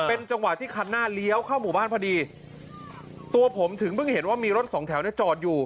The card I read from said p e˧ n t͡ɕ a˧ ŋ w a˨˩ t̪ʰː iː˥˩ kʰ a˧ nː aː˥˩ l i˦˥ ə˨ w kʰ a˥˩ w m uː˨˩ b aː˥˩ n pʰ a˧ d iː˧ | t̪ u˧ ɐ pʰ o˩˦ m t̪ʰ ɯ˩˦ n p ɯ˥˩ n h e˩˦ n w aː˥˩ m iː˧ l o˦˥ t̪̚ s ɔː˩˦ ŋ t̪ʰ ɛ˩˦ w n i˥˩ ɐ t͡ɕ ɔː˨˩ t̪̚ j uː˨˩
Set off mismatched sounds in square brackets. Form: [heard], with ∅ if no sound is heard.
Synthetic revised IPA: p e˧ n t͡ɕ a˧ ŋ w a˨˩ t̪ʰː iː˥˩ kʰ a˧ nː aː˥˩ l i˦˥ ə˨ w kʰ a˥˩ w m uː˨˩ b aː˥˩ n pʰ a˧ d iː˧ | t̪ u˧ ɐ pʰ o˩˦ m t̪ʰ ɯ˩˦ [ŋ] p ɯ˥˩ [ŋ] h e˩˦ n w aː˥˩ m iː˧ [ɾ] o˦˥ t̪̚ s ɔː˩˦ ŋ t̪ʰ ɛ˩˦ w n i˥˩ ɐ t͡ɕ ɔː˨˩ t̪̚ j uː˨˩